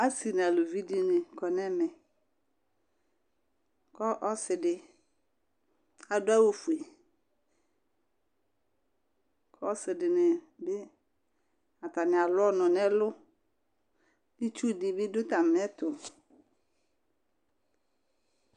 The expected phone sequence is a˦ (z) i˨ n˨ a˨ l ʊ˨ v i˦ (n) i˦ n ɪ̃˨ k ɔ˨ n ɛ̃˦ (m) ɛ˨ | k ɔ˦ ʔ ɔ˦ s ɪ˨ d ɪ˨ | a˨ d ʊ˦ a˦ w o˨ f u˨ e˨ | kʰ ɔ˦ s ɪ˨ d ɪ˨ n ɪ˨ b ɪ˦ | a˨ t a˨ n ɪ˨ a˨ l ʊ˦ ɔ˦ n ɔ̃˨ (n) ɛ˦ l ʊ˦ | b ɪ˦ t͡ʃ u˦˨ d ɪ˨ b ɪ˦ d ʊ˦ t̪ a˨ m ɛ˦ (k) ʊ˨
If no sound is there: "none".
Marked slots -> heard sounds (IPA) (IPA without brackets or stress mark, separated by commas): s, d, m, n, t